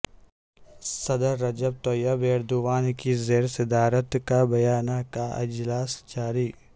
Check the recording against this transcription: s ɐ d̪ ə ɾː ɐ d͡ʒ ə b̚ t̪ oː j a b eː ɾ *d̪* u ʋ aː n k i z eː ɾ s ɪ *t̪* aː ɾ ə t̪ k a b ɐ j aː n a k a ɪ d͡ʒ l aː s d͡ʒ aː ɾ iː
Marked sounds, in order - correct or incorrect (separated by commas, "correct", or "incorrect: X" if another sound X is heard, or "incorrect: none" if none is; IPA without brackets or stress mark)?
correct, incorrect: d̪